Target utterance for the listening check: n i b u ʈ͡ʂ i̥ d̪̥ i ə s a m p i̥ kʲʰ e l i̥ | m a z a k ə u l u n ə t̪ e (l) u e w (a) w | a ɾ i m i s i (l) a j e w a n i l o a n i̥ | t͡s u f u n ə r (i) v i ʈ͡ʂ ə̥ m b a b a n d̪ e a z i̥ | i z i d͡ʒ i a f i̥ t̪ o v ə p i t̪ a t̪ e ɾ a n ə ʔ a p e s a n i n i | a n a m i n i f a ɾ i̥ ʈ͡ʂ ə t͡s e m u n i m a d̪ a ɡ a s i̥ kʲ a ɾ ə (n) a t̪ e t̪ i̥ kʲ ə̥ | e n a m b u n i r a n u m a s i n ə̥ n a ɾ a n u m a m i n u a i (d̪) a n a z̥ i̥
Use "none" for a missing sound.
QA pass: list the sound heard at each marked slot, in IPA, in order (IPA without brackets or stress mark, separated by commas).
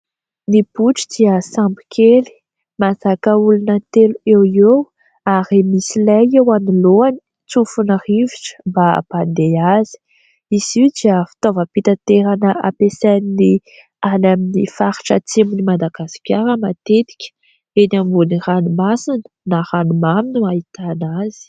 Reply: l, e, l, i, m, t̪